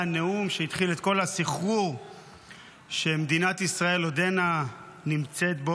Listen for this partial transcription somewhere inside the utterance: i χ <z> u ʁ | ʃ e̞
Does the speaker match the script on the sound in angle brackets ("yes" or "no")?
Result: no